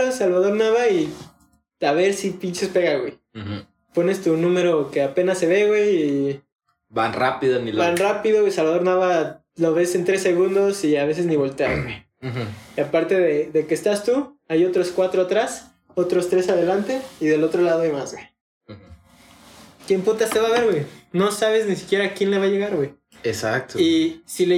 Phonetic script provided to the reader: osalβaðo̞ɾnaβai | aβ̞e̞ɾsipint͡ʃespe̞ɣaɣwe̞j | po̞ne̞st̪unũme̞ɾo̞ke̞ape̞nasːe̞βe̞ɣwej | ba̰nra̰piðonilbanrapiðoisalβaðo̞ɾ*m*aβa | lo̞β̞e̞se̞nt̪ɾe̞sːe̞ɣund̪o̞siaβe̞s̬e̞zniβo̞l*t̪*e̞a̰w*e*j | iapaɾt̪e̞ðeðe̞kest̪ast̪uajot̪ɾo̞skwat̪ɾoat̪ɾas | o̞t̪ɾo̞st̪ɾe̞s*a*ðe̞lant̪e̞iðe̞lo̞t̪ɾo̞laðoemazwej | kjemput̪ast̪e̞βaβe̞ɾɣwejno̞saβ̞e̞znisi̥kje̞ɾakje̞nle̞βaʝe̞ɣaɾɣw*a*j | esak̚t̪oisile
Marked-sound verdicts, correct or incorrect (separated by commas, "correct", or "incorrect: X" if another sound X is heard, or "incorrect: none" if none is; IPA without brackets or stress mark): incorrect: n, correct, correct, correct, incorrect: e